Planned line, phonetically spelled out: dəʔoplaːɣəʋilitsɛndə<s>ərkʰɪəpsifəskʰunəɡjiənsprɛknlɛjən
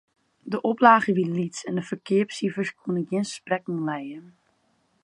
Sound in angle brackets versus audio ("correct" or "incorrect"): incorrect